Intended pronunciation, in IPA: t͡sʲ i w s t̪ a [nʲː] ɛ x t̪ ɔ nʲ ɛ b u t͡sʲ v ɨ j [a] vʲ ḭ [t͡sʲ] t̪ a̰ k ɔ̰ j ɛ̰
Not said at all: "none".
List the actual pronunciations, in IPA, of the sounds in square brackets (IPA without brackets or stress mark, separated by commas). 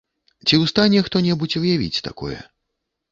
nʲ, a, t͡sʲ